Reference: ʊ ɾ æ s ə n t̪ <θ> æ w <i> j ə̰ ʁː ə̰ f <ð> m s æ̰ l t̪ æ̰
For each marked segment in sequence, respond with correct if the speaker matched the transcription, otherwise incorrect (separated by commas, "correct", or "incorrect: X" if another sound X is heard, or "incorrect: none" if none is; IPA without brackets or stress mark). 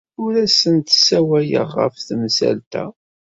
incorrect: s, incorrect: æ, incorrect: θ